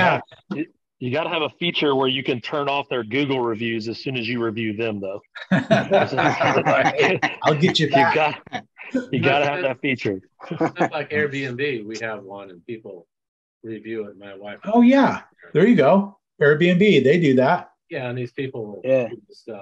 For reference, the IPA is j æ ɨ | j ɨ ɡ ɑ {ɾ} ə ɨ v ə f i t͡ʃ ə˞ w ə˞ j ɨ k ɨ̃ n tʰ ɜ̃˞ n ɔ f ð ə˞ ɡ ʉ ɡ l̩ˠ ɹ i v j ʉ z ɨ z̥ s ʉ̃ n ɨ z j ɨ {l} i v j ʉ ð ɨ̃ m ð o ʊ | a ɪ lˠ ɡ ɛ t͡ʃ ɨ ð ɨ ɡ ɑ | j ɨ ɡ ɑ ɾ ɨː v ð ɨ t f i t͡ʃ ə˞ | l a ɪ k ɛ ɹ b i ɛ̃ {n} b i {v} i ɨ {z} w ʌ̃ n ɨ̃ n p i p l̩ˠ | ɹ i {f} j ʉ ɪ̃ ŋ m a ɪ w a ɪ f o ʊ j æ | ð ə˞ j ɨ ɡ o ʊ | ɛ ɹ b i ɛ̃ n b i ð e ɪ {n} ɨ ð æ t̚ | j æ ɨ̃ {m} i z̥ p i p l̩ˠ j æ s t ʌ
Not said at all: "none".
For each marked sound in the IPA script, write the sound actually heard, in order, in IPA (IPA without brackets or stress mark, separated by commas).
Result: ɾ, ɹ, n, w, v, v, d, n